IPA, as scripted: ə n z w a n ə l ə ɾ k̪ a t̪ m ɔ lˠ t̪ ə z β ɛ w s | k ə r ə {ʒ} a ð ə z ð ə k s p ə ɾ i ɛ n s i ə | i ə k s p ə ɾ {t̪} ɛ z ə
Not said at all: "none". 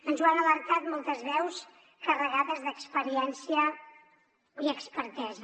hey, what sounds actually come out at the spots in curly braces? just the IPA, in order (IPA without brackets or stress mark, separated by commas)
ɣ, t̪